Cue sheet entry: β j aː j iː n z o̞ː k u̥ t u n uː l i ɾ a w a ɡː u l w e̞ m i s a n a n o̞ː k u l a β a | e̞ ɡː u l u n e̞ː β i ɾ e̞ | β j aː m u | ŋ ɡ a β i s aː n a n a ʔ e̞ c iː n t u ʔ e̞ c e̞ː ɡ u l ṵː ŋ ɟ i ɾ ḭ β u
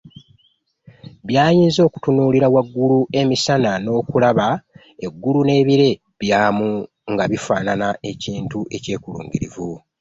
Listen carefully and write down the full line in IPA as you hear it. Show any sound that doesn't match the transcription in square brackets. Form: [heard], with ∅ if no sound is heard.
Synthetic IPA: β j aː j iː n z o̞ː k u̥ t u n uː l i ɾ a w a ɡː u l [u] e̞ m i s a n a n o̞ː k u l a β a | e̞ ɡː u l u n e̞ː β i ɾ e̞ | β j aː m u | ŋ ɡ a β i [f] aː n a n a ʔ e̞ c iː n t u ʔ e̞ c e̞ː [k] u l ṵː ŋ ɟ i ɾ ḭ [v] u